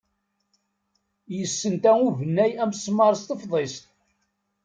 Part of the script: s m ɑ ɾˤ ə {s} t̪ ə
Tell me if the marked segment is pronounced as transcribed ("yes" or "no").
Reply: yes